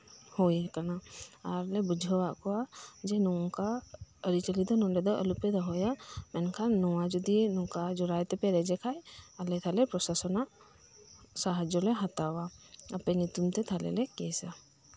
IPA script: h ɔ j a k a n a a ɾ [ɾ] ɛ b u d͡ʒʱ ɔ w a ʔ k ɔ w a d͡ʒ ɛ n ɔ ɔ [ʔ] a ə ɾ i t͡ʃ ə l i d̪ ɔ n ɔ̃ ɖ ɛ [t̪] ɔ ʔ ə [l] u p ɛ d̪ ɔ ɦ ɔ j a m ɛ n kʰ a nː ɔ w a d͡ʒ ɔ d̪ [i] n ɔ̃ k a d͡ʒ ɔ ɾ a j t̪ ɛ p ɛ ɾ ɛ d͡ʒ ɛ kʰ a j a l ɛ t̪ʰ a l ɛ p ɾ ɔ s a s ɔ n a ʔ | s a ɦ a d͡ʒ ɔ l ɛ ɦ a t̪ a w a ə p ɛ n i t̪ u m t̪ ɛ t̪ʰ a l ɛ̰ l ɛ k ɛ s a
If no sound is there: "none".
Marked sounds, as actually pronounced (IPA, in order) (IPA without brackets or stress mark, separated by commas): l, k, d̪, l, i